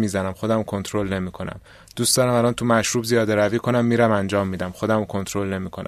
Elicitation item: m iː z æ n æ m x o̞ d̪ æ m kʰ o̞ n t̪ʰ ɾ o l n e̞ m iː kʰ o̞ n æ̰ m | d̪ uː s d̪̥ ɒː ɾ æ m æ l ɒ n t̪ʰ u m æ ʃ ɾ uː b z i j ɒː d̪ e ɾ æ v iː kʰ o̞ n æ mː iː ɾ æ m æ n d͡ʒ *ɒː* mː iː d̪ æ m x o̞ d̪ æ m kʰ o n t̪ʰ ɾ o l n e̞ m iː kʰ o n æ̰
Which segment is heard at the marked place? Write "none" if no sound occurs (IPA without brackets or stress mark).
ɒː